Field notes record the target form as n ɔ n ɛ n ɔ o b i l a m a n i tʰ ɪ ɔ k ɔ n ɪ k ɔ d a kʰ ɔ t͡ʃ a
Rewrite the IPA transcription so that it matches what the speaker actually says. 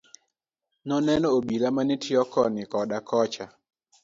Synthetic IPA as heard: n ɔ n ɛ n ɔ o b i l a m a n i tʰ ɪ ɔ k ɔ n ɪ k ɔ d a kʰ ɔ t͡ʃ a